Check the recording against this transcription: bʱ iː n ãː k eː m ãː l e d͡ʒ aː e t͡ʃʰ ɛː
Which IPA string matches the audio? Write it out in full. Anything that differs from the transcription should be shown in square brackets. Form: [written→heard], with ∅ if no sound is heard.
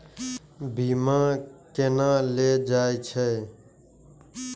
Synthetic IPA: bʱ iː [n→m] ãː k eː [m→n] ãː l e d͡ʒ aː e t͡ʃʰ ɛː